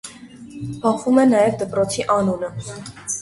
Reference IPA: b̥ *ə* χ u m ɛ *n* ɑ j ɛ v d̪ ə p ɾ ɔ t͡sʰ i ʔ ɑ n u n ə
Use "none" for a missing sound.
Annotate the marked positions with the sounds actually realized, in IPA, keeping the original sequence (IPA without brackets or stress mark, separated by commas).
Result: ɑ, n